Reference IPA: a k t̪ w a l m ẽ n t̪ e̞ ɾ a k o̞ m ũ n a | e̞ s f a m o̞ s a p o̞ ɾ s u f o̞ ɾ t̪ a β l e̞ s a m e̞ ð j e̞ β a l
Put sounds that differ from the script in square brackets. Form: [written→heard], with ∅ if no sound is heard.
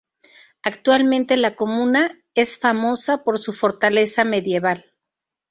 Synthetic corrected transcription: a k t̪ w a l m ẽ n t̪ e̞ [ɾ→l] a k o̞ m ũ n a | e̞ s f a m o̞ s a p o̞ ɾ s u f o̞ ɾ t̪ a [β→∅] l e̞ s a m e̞ ð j e̞ β a l